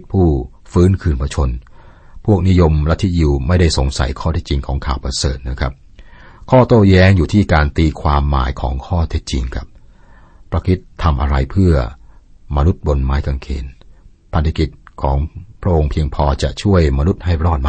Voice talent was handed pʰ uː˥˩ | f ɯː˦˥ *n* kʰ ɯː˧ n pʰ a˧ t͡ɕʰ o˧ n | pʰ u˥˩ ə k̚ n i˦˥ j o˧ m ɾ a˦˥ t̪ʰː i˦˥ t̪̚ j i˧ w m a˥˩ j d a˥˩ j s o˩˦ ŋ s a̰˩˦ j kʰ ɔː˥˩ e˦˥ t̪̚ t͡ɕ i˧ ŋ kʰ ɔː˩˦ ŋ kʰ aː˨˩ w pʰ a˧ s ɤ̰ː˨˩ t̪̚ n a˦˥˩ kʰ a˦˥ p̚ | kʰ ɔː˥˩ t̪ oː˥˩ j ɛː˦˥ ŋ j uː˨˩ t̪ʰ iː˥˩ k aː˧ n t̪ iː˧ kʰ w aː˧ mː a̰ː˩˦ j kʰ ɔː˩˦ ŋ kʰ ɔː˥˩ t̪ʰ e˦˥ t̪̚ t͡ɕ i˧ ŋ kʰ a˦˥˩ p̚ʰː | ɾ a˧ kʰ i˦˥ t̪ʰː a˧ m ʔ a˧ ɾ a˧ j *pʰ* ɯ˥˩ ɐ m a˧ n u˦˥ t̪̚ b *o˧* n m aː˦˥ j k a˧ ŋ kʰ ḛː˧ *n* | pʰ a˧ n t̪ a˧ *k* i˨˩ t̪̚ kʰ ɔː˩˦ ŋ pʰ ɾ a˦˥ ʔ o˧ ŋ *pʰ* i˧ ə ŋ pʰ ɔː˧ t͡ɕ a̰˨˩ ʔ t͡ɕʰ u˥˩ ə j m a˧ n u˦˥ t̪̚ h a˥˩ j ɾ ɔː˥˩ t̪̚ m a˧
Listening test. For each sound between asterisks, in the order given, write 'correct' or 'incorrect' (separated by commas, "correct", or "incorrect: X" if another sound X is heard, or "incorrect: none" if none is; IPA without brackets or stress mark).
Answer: correct, correct, correct, correct, correct, correct